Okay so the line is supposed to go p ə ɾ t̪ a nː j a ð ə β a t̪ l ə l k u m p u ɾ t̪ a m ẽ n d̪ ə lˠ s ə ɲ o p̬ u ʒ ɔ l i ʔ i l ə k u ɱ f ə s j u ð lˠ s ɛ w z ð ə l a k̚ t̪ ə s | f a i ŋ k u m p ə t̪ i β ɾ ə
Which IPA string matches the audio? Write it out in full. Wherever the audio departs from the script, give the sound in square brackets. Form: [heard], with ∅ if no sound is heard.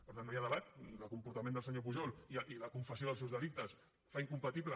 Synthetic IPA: p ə ɾ t̪ a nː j a ð ə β a t̪ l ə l k u m p u ɾ t̪ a m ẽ n d̪ ə lˠ s ə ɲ o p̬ u ʒ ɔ l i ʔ i l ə k u ɱ f ə s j [o] ð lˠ s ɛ w z ð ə l [i] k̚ t̪ ə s | f a i ŋ k u m p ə t̪ i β [l] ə